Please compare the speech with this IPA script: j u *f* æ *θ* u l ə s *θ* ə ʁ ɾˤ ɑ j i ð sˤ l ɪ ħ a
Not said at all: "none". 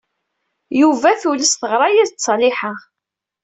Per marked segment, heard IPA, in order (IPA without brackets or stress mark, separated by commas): v, θ, θ